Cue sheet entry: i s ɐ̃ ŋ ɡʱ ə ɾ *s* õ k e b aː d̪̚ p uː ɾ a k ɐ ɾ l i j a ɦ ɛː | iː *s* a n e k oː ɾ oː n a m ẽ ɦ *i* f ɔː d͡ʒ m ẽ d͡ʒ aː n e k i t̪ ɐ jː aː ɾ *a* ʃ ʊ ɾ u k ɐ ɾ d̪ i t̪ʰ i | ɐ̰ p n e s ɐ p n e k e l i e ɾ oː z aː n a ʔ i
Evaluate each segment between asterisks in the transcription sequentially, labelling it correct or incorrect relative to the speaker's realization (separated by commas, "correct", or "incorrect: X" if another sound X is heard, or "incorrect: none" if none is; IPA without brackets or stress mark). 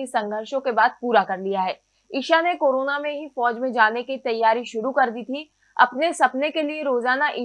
incorrect: ʃ, incorrect: ʃ, correct, incorrect: i